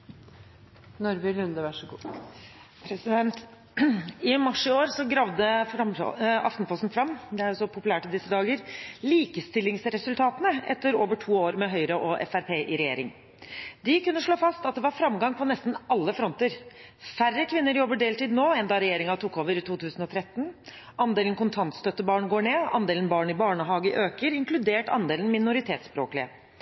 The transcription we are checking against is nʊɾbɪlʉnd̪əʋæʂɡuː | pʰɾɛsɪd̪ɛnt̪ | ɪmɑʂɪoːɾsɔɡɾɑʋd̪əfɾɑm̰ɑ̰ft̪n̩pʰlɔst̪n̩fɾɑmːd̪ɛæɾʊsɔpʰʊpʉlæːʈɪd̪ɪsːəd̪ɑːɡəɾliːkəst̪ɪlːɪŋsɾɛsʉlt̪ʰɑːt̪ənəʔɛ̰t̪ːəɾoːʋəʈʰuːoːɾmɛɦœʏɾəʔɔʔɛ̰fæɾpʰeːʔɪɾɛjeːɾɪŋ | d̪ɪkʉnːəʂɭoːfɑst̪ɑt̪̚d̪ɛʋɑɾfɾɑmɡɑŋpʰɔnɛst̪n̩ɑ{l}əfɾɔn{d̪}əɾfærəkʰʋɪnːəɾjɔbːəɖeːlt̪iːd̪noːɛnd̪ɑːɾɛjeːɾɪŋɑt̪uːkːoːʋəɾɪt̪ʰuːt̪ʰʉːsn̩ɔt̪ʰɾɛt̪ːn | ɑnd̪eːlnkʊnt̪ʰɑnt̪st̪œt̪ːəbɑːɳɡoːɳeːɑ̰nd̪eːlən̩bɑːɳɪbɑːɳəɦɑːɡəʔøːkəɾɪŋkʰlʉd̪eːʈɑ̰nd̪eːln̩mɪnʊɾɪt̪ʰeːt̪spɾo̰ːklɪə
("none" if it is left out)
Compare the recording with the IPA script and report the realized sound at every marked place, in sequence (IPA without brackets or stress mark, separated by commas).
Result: lː, t̪